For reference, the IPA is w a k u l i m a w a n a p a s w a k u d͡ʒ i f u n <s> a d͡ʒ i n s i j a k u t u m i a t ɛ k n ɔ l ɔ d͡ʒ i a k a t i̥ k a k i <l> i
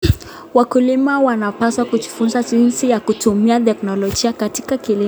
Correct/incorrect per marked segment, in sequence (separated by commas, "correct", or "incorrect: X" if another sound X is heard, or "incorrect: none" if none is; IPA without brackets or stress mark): incorrect: z, correct